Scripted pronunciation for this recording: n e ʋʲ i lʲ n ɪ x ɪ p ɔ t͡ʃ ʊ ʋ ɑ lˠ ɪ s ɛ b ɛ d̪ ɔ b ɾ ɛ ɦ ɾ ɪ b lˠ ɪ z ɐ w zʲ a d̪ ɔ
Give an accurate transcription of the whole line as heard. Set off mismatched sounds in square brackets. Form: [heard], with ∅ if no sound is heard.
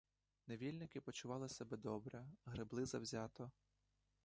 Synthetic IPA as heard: n e ʋʲ i lʲ n ɪ [k] ɪ p ɔ t͡ʃ ʊ ʋ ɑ lˠ ɪ s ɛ b ɛ d̪ ɔ b ɾ ɛ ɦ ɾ ɪ b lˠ ɪ z ɐ w zʲ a [t̪] ɔ